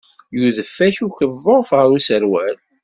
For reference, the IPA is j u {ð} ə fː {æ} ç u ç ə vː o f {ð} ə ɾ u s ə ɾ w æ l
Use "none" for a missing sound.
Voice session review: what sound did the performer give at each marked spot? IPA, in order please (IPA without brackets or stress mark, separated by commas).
ð, æ, ʁ